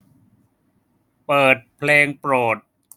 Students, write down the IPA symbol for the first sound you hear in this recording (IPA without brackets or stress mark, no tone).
p